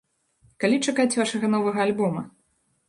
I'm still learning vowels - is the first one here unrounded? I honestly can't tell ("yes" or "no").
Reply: yes